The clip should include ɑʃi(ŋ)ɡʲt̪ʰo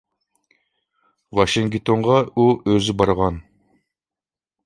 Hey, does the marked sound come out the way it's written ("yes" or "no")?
yes